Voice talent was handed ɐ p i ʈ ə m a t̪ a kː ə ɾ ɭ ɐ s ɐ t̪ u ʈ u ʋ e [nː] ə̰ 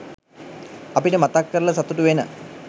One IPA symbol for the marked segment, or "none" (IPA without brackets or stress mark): n